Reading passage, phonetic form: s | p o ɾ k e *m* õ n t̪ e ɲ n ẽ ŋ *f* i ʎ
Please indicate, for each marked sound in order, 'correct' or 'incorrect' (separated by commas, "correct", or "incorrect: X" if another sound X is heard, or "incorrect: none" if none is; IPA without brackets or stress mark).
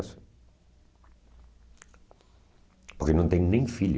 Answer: incorrect: n, correct